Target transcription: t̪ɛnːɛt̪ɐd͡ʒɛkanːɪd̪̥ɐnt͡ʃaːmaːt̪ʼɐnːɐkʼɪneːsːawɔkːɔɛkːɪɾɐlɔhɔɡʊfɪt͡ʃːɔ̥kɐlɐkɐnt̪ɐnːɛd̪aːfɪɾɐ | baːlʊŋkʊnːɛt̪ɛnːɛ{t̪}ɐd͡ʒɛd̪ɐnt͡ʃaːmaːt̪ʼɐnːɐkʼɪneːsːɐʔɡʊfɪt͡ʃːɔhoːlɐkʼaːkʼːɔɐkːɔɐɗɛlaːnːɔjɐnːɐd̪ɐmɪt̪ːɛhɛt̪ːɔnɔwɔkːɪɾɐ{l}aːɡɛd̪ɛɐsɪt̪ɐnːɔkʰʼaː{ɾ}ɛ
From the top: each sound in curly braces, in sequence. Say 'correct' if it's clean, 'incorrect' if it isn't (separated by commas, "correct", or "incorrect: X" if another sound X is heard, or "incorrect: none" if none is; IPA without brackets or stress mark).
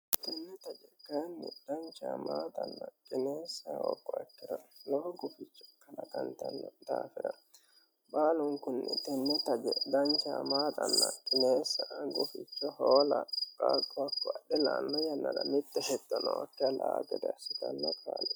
correct, correct, incorrect: l